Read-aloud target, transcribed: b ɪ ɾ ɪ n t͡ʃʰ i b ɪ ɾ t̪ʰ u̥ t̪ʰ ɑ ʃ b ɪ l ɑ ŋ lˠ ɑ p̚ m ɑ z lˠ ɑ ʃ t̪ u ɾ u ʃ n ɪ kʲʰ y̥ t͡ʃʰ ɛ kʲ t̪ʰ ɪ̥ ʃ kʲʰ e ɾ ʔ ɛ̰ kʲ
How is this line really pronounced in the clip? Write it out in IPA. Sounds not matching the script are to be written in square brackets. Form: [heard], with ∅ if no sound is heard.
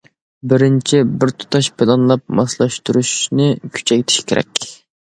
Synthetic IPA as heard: b ɪ ɾ ɪ n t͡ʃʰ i b ɪ ɾ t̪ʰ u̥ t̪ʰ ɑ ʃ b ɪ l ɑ [n] lˠ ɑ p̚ m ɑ [s] lˠ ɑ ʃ t̪ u ɾ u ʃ n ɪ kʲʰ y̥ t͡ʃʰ ɛ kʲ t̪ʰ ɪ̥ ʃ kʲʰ e ɾ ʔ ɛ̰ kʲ